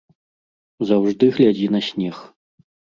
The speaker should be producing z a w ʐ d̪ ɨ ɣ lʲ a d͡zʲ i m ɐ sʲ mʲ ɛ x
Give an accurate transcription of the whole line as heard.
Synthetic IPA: z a w ʐ d̪ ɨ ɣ lʲ a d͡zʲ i n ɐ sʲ nʲ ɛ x